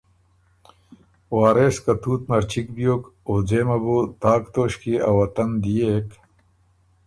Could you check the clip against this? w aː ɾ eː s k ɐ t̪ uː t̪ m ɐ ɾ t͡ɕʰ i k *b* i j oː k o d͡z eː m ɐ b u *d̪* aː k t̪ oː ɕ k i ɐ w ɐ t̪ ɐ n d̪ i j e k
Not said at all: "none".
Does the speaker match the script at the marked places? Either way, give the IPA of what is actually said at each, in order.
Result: b, t̪

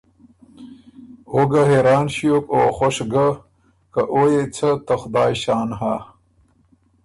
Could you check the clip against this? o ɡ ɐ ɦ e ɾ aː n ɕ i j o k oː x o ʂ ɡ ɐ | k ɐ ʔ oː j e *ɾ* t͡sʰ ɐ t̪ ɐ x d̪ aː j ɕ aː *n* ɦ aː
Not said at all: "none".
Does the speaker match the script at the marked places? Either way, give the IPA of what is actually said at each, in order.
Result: none, n

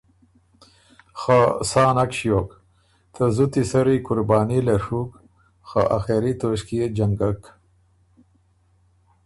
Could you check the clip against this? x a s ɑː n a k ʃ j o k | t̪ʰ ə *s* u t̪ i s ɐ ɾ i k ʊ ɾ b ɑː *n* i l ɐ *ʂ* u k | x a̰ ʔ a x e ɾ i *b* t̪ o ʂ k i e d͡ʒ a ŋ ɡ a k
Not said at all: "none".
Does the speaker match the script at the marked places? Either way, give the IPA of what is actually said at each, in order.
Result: z, n, ʂ, none

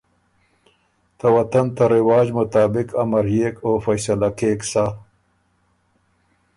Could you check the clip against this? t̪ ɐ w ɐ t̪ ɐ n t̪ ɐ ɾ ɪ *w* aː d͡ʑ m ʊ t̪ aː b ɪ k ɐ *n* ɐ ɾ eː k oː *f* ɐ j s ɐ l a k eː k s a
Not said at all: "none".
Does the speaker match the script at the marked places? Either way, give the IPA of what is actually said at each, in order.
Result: w, m, f

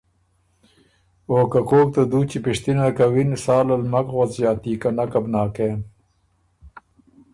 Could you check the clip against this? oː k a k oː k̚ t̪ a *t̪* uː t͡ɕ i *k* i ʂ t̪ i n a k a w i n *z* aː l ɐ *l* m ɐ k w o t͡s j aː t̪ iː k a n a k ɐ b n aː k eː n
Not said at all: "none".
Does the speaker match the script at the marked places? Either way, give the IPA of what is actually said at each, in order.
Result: d̪, p, s, l

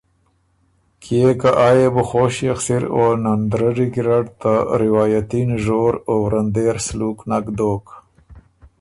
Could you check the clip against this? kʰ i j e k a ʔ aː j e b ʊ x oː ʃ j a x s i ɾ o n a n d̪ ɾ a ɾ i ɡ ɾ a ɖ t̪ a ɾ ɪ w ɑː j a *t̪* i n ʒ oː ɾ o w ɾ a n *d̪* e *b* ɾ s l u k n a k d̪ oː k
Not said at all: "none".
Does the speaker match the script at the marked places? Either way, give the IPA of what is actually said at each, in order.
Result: t̪, d̪, none

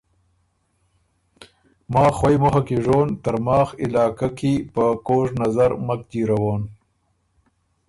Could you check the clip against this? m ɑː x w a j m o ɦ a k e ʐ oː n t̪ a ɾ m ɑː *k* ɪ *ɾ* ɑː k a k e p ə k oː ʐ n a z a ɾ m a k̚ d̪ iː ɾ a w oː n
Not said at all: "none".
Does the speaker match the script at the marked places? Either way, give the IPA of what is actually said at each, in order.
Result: x, l

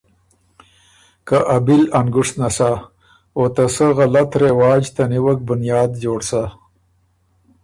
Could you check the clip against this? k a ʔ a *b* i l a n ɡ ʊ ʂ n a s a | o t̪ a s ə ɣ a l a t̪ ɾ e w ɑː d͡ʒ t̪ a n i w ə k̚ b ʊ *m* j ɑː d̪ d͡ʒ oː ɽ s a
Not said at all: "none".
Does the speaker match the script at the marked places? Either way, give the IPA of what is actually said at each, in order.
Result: b, n

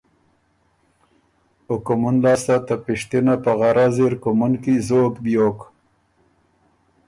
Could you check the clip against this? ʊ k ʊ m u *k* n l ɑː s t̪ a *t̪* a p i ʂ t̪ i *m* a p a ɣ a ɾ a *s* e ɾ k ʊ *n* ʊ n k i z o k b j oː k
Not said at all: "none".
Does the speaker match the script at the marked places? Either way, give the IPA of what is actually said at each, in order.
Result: none, t̪, n, z, m

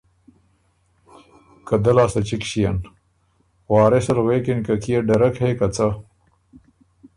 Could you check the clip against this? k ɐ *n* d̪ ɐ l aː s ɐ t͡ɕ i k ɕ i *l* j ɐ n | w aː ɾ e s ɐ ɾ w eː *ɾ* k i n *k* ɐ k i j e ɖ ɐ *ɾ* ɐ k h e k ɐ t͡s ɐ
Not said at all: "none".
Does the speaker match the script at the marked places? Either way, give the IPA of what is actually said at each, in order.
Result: none, none, none, k, ɾ

